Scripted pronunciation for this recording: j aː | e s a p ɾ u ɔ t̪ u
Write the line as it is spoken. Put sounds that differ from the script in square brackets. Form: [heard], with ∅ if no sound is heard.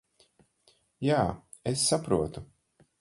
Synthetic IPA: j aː | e [sː] a p ɾ u ɔ t̪ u